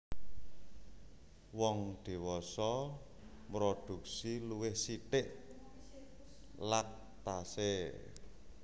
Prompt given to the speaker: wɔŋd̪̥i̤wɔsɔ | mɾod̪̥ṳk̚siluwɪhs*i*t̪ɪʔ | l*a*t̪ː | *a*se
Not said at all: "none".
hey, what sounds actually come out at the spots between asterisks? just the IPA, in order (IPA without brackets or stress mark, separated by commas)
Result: i, a, a